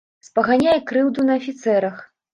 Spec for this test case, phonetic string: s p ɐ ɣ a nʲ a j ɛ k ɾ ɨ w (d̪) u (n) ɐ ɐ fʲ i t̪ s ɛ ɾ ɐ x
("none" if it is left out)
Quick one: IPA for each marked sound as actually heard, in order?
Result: d̪, n

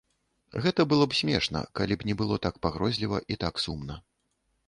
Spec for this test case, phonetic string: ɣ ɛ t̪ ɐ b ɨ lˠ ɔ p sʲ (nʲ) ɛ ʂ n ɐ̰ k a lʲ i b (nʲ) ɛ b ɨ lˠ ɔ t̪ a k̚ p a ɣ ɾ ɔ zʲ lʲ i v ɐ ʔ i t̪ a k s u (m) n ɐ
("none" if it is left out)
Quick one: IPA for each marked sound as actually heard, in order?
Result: mʲ, nʲ, m

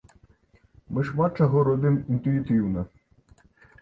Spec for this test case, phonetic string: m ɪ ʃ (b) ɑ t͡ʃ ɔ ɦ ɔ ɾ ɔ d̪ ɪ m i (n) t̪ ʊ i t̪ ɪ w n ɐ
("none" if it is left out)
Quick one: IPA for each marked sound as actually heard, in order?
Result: m, n

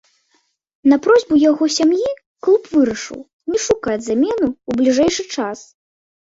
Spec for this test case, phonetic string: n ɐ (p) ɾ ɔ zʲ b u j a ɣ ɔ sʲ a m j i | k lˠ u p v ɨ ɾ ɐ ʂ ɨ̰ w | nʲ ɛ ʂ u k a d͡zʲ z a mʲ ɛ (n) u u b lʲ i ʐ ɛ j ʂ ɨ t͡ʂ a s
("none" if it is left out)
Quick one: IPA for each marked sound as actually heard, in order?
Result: p, n

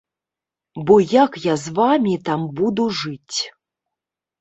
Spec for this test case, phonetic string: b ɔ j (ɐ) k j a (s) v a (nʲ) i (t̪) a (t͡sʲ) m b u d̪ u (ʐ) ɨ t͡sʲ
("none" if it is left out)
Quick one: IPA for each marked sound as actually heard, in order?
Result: a, z, mʲ, t̪, none, ʐ

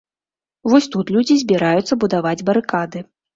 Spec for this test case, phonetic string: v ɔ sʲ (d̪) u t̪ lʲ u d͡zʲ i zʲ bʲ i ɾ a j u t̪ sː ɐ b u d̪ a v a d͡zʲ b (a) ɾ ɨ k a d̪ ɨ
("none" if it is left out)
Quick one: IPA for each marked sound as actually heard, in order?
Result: t̪, ɐ

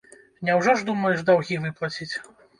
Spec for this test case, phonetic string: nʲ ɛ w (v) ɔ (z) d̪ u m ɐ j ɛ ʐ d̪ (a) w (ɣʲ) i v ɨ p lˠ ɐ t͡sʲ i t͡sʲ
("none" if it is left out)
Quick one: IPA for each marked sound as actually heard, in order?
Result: ʐ, ʐ, a, ɣʲ

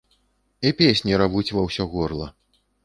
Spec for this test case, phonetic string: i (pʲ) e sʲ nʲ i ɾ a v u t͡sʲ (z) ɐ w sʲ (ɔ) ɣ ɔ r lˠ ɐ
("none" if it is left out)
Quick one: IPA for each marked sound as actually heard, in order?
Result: pʲ, v, ɔ

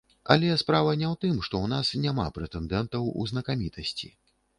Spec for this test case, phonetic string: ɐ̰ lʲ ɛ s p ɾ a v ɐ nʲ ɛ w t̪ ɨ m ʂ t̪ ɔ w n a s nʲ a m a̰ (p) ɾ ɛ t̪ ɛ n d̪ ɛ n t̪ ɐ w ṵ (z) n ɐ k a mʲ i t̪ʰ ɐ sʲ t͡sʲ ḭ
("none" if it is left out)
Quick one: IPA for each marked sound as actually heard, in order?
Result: p, z

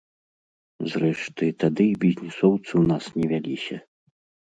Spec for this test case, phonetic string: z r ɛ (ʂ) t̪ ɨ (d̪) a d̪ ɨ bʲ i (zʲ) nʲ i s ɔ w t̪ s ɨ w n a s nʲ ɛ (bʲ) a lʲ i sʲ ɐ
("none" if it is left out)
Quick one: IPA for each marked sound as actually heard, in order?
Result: ʂ, t̪, zʲ, vʲ

